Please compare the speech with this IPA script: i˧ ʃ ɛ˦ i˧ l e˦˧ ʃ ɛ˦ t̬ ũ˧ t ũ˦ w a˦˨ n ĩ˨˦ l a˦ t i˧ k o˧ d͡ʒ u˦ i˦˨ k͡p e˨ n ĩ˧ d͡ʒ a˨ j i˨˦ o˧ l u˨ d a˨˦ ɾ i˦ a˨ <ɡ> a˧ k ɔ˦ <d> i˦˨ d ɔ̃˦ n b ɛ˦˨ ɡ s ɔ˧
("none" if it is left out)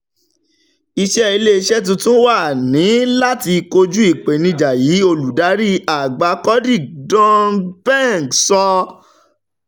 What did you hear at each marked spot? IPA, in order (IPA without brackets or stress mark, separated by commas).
ɡ͡b, d